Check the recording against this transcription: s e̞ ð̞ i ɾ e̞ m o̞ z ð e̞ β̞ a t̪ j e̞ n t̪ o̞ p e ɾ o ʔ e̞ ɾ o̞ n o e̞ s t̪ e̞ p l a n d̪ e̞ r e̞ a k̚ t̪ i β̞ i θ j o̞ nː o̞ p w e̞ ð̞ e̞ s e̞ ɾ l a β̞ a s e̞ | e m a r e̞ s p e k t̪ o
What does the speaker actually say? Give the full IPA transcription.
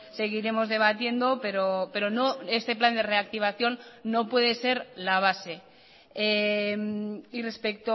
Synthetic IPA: s e̞ ɣ̞ i ɾ e̞ m o̞ z ð e̞ β̞ a t̪ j e̞ n d̪ o̞ p e ɾ o p e̞ ɾ o̞ n o e̞ s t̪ e̞ p l a n d̪ e̞ r e̞ a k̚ t̪ i β̞ a θ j o̞ nː o̞ p w e̞ ð̞ e̞ s e̞ ɾ l a β̞ a s e̞ | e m i r e̞ s p e k t̪ o